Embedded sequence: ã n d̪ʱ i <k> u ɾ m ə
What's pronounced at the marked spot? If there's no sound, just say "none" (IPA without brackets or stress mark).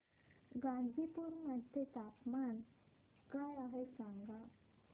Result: p